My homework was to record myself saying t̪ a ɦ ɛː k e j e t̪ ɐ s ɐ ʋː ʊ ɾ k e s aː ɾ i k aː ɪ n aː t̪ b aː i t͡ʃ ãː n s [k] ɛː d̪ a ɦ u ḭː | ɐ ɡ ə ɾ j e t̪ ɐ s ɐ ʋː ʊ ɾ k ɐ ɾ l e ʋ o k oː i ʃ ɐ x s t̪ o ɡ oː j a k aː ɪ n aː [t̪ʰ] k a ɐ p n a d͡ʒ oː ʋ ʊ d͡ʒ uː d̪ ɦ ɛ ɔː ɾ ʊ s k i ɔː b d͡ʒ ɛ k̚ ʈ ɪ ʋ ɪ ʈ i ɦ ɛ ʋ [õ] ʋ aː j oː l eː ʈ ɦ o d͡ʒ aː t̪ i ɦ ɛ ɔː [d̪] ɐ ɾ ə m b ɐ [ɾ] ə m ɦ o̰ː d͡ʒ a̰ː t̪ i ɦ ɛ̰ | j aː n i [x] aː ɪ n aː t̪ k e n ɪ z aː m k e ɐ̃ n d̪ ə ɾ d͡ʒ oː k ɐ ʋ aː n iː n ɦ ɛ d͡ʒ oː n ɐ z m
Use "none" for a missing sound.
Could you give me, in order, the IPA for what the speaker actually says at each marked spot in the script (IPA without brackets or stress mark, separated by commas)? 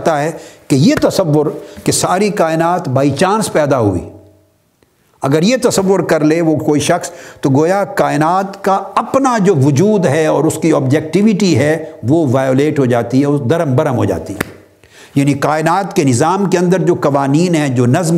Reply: p, t̪, o, d̪, ɾ, k